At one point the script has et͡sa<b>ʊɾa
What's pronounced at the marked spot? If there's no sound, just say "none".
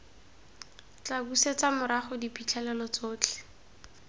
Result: m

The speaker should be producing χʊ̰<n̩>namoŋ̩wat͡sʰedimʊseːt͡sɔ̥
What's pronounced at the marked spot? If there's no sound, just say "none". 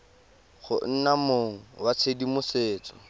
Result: n̩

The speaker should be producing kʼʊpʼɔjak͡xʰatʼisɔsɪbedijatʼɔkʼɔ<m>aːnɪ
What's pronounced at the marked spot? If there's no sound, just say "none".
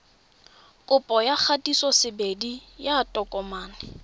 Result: m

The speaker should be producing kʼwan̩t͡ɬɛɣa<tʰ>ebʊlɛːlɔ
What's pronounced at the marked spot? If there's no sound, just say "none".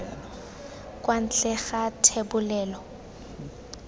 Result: tʰ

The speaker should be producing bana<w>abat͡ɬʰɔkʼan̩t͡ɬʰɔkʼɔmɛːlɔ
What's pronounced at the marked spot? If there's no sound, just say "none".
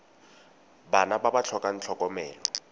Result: b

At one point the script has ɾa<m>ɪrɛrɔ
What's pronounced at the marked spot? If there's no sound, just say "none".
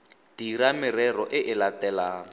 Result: m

